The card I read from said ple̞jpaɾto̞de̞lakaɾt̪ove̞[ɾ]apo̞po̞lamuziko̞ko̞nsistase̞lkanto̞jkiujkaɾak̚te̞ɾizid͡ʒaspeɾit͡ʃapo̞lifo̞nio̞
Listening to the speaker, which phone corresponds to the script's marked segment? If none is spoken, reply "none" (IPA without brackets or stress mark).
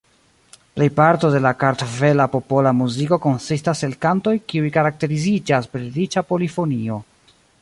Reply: l